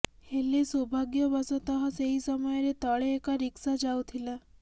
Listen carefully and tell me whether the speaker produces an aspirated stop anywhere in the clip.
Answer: yes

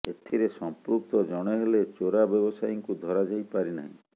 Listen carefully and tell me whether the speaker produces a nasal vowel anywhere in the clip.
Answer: yes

